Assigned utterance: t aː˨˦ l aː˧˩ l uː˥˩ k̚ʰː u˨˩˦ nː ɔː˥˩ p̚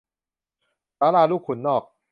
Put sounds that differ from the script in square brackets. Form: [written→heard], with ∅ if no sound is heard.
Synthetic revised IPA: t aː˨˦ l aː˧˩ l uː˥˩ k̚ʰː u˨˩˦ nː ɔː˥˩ [p̚→k̚]